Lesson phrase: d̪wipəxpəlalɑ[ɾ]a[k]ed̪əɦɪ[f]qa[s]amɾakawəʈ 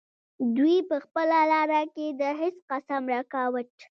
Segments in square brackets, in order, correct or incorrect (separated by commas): correct, correct, incorrect, correct